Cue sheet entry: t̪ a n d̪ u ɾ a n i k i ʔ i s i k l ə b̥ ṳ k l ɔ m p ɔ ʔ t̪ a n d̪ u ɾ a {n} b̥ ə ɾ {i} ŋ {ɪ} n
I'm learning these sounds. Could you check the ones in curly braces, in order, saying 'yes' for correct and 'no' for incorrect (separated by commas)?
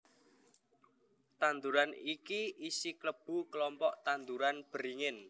yes, yes, yes